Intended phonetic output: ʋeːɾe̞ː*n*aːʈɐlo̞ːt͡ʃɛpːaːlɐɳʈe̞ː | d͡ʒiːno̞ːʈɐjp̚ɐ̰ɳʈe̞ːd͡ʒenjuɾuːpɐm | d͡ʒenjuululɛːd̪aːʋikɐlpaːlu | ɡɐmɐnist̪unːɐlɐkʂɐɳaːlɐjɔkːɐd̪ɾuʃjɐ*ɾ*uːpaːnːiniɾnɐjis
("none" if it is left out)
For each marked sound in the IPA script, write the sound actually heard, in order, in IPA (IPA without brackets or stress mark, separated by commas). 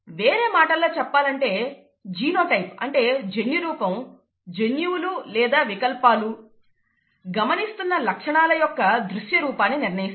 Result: m, ɾ